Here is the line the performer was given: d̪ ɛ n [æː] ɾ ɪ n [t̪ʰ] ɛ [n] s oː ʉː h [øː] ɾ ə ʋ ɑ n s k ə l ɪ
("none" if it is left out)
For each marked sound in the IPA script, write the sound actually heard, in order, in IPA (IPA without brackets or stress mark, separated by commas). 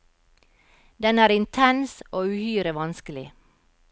æː, t̪ʰ, n, yː